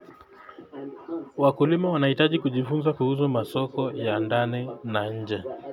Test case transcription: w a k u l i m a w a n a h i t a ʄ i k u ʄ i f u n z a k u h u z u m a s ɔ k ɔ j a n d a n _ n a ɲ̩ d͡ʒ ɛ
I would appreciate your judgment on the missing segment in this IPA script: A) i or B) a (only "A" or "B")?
A